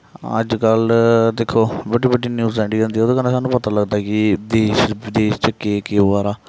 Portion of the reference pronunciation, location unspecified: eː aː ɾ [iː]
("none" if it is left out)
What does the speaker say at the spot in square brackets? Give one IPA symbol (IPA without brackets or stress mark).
aː